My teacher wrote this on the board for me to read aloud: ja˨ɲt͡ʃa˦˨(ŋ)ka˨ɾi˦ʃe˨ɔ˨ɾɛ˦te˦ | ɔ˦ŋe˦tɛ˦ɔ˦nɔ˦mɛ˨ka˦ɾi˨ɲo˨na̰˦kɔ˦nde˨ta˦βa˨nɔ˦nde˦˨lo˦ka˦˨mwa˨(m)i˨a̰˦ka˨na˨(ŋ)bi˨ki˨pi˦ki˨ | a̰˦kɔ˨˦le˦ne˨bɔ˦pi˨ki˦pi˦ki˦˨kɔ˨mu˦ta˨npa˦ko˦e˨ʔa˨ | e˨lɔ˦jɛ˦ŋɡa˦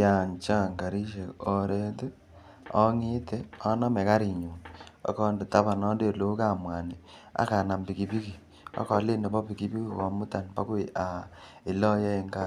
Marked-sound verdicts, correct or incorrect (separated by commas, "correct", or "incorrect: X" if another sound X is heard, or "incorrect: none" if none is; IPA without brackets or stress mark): correct, incorrect: n, incorrect: m